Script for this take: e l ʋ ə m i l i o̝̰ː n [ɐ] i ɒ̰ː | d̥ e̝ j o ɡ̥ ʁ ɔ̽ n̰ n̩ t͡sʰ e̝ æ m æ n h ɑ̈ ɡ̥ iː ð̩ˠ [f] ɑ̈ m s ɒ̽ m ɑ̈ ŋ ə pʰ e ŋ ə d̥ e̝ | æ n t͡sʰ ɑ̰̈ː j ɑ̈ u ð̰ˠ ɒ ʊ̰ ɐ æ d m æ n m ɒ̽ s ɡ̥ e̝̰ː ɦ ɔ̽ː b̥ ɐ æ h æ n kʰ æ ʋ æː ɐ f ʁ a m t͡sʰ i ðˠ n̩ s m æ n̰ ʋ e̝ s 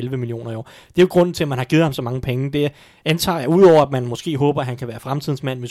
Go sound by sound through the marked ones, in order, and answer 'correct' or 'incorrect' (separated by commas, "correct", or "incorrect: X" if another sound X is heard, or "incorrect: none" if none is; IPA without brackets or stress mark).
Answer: correct, incorrect: h